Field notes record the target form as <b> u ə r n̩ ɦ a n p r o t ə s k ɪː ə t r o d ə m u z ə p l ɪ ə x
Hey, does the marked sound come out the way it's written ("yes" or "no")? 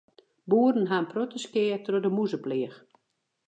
yes